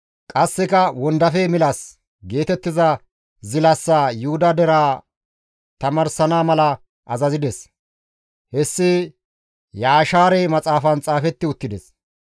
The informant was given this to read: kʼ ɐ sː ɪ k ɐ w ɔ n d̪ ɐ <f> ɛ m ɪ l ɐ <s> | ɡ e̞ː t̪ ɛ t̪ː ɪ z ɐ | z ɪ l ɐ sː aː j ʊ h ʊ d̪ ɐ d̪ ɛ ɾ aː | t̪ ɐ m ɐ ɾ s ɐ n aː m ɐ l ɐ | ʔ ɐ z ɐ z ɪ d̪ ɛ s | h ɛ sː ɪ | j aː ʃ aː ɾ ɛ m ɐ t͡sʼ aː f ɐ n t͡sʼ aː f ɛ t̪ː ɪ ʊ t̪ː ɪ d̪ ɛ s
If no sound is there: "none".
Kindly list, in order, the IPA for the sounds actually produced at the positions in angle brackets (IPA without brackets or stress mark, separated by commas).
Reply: f, s